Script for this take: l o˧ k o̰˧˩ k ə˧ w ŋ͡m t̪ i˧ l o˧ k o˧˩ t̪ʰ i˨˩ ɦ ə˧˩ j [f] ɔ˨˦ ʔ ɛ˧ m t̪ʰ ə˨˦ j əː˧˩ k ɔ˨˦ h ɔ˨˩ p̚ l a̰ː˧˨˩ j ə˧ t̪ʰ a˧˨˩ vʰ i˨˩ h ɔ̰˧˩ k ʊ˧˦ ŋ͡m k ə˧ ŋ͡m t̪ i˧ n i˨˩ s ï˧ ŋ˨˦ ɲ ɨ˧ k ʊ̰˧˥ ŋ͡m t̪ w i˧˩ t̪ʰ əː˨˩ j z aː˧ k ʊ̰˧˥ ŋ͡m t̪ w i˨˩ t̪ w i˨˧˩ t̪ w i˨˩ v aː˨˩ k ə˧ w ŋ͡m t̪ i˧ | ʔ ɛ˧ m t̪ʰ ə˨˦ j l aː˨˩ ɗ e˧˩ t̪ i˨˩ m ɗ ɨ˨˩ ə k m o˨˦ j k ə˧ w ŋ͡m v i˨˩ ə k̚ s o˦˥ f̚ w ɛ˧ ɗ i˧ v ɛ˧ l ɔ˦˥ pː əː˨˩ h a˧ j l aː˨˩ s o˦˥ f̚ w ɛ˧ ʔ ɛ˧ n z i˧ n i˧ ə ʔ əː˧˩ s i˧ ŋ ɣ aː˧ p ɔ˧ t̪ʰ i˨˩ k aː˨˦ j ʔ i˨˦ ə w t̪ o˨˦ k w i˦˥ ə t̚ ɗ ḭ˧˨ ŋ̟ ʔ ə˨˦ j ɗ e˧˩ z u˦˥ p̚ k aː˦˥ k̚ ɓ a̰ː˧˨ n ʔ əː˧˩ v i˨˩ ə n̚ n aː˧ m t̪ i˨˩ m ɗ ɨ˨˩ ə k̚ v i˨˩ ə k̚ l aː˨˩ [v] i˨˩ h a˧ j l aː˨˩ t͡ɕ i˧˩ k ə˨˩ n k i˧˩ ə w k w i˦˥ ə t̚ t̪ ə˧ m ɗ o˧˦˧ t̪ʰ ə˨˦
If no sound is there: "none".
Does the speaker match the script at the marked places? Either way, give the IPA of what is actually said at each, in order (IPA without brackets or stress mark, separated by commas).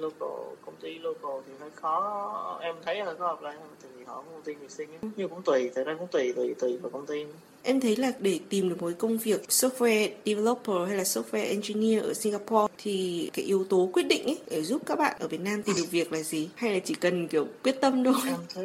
x, z